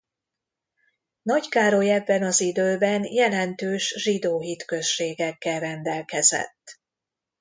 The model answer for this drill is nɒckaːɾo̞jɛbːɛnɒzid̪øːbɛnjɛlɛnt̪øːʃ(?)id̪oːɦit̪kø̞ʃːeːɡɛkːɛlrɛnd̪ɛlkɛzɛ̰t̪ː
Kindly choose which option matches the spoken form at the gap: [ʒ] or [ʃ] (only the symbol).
ʒ